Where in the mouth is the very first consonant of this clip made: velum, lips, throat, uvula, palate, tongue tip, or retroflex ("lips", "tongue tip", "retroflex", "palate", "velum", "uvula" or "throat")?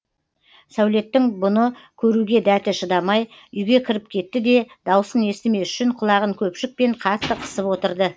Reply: tongue tip